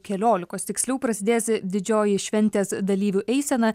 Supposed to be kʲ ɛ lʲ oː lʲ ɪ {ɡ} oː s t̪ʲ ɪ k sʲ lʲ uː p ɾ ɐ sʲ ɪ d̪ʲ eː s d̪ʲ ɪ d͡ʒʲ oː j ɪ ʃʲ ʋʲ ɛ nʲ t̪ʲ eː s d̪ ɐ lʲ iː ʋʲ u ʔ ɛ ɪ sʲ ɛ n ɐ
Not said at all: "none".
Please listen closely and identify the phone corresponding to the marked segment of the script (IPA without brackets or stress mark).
k